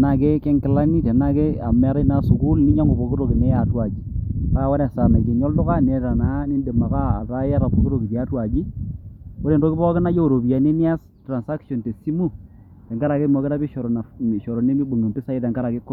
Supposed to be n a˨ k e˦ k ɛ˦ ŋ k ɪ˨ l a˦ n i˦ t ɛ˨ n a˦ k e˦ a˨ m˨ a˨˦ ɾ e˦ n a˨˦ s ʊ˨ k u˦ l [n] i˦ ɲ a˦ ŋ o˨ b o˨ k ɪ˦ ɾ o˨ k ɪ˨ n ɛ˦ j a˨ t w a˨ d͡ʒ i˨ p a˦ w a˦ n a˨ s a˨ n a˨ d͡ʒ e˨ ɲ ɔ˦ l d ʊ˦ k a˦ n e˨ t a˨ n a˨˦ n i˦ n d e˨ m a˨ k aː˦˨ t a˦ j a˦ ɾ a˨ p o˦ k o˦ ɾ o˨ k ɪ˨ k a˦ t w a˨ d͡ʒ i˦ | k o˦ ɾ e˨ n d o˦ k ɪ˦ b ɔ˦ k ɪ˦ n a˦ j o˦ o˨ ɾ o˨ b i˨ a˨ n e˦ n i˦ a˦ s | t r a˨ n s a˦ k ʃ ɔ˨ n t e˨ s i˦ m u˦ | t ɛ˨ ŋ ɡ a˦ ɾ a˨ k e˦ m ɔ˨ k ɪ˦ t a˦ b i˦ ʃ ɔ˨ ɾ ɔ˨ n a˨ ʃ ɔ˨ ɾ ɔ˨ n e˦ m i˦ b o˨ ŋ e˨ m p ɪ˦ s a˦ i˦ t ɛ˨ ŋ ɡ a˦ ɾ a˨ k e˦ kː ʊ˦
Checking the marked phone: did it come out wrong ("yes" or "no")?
no